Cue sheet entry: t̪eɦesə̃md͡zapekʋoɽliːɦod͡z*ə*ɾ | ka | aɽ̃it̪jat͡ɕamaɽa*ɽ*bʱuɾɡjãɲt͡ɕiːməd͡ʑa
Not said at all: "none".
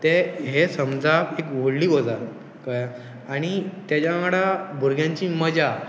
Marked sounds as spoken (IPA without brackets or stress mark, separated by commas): a, none